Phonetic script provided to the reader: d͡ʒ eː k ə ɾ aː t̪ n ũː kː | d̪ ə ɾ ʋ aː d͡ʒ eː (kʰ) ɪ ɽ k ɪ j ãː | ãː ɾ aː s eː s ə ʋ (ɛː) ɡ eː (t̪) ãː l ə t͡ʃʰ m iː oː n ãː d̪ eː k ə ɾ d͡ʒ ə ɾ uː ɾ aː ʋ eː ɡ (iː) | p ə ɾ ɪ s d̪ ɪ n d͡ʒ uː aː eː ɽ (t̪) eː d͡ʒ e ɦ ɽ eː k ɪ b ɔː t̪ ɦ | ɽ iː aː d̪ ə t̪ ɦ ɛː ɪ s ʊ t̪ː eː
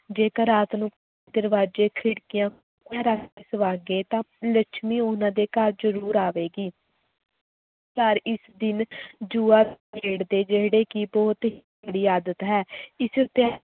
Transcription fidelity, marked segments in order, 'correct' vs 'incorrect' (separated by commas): correct, incorrect, correct, correct, incorrect